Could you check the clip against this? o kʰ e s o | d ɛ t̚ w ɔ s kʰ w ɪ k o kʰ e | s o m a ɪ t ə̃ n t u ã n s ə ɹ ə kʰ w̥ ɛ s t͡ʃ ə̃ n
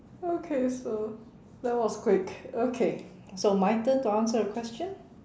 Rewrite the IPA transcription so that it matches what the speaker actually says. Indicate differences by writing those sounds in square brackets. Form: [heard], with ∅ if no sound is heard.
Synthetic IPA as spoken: o kʰ e s o | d ɛ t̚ w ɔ s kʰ w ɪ k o kʰ e | s o m a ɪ t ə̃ n t u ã n s ə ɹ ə kʰ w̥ ɛ s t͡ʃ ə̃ n